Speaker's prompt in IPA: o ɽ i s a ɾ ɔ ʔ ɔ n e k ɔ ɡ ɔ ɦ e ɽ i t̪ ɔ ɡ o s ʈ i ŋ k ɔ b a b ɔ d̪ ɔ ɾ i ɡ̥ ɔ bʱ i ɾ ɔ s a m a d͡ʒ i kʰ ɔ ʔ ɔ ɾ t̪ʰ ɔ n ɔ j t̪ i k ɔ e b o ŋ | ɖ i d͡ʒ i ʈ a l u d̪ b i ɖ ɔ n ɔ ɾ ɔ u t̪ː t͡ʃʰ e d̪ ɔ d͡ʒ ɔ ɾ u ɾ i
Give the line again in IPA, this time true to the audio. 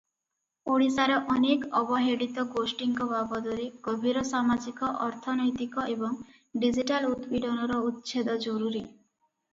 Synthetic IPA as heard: o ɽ i s a ɾ ɔ ʔ ɔ n e k ɔ b ɔ ɦ e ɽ i t̪ ɔ ɡ o s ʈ i ŋ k ɔ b a b ɔ d̪ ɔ ɾ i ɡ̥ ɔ bʱ i ɾ ɔ s a m a d͡ʒ i k ɔ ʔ ɔ ɾ t̪ʰ ɔ n ɔ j t̪ i k ɔ e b ɔ ŋ | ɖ i d͡ʒ i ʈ a l u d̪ b i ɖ ɔ n ɔ ɾ ɔ u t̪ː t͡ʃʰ e d̪ ɔ d͡ʒ ɔ ɾ u ɾ i